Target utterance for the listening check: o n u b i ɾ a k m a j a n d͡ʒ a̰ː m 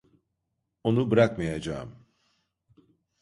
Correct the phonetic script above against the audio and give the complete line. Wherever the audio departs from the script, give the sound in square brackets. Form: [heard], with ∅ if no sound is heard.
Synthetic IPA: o n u b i ɾ a k m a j a [∅] d͡ʒ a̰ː m